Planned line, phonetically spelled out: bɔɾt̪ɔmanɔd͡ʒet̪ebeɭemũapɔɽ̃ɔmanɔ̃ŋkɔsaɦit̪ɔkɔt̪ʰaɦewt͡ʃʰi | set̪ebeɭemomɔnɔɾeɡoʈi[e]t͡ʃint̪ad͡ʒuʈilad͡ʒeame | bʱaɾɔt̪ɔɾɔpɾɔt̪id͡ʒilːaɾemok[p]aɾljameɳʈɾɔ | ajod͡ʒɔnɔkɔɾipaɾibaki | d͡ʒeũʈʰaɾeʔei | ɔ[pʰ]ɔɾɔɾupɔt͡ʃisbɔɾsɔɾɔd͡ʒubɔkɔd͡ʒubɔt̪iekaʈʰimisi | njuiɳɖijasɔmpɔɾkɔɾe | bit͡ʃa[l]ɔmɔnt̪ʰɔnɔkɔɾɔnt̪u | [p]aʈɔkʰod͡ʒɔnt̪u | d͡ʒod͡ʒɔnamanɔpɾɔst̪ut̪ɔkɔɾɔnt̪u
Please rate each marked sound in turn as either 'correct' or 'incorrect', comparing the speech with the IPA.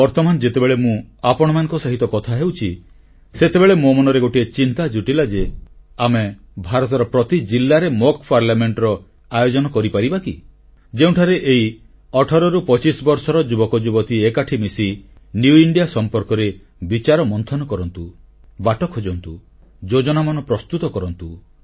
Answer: correct, correct, incorrect, incorrect, incorrect

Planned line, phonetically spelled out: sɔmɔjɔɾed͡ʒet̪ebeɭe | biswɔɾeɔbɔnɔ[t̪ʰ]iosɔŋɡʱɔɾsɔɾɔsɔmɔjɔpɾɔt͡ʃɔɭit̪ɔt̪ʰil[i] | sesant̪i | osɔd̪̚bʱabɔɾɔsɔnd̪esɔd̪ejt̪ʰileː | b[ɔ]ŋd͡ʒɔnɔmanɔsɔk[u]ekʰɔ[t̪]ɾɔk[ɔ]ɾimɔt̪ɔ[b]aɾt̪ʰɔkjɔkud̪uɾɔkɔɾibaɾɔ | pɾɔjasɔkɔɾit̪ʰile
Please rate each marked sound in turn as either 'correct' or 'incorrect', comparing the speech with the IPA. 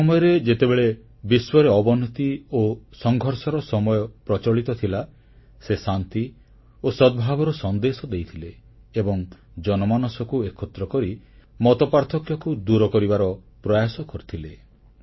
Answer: incorrect, incorrect, correct, correct, correct, correct, incorrect

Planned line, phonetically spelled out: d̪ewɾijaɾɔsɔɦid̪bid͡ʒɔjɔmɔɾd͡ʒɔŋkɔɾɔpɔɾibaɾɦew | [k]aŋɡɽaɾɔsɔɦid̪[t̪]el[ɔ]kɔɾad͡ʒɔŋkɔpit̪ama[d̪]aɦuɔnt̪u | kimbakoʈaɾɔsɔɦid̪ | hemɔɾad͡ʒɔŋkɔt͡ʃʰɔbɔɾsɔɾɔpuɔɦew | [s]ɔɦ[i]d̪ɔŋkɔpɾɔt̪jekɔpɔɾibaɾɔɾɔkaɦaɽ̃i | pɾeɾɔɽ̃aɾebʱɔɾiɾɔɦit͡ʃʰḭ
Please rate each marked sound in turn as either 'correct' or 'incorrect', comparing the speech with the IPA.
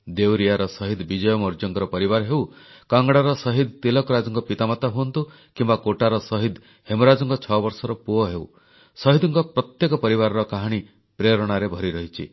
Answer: correct, correct, correct, incorrect, correct, correct

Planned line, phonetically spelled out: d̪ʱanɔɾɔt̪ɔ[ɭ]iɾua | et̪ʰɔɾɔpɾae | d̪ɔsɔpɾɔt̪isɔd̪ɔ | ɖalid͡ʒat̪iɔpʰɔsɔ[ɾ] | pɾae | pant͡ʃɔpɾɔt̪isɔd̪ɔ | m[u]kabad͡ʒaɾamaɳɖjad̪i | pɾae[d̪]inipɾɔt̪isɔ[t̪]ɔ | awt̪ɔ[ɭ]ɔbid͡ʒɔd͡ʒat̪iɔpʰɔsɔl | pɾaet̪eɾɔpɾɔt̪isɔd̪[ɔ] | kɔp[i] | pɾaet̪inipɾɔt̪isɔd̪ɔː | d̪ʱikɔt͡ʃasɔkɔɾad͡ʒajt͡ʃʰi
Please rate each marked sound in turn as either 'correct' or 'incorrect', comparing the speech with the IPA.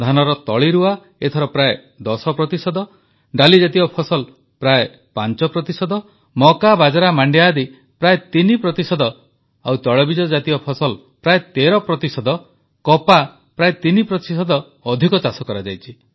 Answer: correct, incorrect, incorrect, incorrect, incorrect, correct, correct, incorrect

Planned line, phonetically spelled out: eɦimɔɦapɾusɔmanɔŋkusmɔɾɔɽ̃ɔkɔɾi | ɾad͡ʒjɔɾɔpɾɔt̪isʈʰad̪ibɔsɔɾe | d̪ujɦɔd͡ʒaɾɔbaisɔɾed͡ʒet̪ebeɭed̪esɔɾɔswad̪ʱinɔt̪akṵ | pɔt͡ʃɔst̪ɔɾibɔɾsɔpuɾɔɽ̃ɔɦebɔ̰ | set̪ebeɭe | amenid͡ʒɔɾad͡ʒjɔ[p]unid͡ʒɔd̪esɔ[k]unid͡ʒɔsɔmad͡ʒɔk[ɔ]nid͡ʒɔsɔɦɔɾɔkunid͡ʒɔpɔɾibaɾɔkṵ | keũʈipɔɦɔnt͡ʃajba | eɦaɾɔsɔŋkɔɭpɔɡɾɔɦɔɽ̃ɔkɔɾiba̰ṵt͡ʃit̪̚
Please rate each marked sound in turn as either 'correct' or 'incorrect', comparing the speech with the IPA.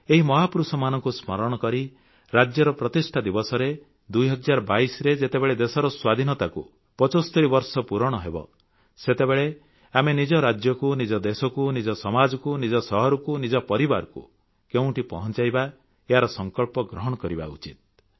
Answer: incorrect, correct, incorrect

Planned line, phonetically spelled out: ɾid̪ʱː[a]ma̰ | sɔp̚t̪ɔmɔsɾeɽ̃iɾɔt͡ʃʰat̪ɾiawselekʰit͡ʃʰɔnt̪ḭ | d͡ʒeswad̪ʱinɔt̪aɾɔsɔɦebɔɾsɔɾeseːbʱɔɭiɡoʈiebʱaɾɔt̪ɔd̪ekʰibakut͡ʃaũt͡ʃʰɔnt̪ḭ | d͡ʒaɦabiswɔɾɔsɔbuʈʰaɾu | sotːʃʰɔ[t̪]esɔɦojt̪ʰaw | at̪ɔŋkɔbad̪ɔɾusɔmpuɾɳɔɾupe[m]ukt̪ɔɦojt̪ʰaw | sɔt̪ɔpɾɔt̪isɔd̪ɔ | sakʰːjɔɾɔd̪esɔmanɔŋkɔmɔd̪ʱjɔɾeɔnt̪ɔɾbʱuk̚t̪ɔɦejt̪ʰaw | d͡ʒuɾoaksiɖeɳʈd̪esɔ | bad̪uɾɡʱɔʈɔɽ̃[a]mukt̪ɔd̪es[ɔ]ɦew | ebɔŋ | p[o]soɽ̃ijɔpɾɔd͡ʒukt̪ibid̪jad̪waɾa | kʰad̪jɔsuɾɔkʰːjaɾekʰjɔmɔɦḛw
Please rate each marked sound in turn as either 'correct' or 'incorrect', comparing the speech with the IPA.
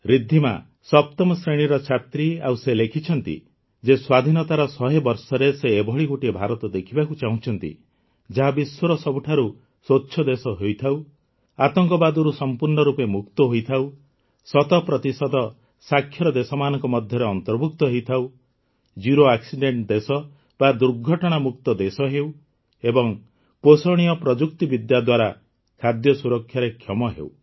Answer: incorrect, incorrect, correct, correct, correct, correct

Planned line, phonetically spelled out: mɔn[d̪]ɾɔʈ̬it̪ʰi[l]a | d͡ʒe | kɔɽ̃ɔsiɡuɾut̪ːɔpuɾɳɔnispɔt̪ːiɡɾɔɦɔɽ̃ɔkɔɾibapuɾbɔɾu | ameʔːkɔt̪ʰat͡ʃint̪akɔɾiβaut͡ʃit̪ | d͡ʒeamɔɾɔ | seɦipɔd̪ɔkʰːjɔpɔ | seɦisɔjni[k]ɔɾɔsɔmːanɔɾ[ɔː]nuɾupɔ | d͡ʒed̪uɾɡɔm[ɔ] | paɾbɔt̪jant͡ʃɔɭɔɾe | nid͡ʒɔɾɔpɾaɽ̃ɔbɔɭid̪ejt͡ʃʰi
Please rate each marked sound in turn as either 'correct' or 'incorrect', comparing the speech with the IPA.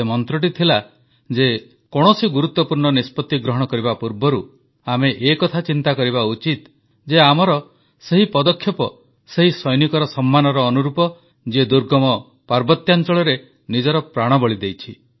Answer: incorrect, correct, correct, correct, correct

